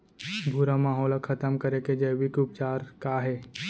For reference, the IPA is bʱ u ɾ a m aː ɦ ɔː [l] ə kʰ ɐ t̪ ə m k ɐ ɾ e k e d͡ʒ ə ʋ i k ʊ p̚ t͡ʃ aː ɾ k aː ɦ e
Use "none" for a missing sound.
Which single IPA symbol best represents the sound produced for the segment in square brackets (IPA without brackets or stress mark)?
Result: l